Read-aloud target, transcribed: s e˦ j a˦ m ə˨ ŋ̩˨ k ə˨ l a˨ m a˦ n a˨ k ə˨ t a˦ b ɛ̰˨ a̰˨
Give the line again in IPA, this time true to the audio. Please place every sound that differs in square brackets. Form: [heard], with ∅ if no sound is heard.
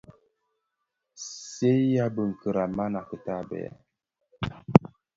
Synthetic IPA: s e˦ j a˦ [b] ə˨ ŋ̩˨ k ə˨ [ɾ] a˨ m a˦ n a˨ k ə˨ t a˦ b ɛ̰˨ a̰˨